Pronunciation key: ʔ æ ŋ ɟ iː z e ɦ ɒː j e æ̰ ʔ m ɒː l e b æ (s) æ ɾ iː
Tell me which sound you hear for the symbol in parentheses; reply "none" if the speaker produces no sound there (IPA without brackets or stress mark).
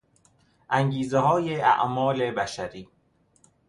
ʃ